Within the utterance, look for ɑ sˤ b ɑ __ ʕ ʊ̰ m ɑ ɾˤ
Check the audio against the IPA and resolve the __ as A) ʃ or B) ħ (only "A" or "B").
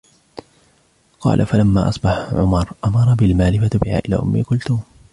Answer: B